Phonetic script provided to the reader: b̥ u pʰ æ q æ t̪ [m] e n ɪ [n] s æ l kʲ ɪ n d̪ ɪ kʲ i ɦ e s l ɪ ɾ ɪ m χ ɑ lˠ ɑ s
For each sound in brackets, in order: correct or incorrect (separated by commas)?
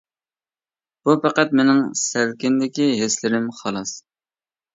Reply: correct, incorrect